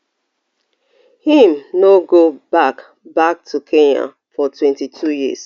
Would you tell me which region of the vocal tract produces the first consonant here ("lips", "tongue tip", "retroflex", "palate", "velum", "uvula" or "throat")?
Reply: throat